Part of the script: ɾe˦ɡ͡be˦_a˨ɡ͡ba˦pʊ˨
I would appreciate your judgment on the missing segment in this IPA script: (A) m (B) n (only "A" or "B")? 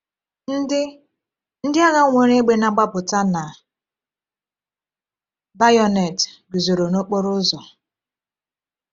B